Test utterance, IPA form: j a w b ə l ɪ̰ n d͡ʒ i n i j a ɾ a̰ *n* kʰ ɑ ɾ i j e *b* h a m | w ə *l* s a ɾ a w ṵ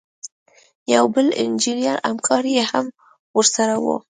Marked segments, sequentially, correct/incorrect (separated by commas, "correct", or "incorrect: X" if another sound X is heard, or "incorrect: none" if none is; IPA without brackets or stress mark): incorrect: m, incorrect: none, incorrect: ɾ